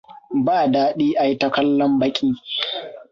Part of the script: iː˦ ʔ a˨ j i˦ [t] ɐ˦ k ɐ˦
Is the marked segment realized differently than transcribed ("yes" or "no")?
no